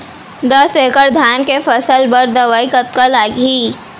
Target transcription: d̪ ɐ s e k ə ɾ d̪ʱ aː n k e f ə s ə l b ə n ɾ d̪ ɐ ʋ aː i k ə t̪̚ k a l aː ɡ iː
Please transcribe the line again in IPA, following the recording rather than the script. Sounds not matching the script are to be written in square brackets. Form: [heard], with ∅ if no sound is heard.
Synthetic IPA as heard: d̪ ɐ s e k ə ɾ d̪ʱ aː n k e f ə s ə l b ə [∅] ɾ d̪ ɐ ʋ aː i k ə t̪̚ k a l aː ɡ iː